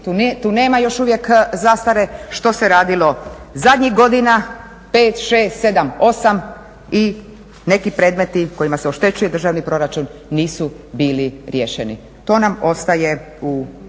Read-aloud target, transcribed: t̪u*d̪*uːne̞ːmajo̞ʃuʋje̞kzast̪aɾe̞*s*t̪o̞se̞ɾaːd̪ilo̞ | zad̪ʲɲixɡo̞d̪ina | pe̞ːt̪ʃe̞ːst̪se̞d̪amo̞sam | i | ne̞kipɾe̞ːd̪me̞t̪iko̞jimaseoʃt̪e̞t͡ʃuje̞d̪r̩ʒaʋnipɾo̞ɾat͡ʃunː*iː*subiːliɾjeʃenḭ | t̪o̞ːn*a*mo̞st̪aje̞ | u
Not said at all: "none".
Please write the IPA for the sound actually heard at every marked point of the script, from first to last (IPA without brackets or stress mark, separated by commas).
t̪, ʃ, iː, a